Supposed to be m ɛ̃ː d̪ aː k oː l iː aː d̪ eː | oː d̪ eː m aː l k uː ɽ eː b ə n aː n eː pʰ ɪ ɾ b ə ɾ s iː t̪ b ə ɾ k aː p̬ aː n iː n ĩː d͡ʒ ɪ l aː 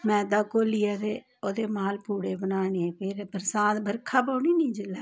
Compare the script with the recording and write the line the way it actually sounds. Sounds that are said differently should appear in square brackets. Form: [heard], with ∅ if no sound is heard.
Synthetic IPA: m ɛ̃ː d̪ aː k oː l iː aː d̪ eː | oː d̪ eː m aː l [p] uː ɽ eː b ə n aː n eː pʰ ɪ ɾ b ə ɾ s [aː] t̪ b ə ɾ [kʰ] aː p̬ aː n iː n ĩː d͡ʒ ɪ l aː